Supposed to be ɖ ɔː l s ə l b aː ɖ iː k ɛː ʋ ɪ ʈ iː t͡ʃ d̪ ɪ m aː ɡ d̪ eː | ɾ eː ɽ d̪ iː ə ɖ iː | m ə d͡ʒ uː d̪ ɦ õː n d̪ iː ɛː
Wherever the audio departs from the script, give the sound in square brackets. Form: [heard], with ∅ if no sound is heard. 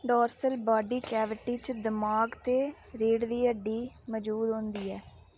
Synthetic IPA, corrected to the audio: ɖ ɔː [ɾ] s ə l b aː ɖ iː k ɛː ʋ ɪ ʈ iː t͡ʃ d̪ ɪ m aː ɡ [t̪] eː | ɾ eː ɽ d̪ iː ə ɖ iː | m ə d͡ʒ uː d̪ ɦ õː n d̪ iː ɛː